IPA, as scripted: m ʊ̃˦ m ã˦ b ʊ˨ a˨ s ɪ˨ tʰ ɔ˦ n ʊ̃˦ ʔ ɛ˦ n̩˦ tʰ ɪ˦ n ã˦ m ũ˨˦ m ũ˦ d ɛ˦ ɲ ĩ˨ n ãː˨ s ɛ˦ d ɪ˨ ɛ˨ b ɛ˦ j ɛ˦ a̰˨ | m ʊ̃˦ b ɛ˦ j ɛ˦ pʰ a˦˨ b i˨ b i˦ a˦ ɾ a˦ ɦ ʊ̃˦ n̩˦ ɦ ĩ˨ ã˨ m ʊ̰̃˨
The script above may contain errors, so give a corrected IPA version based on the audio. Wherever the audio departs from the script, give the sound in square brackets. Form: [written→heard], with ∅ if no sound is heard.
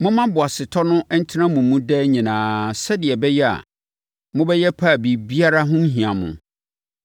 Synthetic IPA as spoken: m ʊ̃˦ m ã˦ b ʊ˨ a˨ s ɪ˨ tʰ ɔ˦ n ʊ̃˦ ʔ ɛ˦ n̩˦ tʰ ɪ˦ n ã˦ m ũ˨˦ m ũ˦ d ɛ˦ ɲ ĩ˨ n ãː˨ s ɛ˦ d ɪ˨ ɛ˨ b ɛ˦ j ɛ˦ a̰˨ | m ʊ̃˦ b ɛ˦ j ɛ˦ pʰ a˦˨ b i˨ b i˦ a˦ ɾ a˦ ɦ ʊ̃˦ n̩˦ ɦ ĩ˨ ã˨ m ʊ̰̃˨